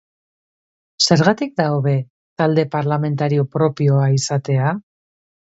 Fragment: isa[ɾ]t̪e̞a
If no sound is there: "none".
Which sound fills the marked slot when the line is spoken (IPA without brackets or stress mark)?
none